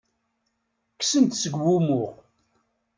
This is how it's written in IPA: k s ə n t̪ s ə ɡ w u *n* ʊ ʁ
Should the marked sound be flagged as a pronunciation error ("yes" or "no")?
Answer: yes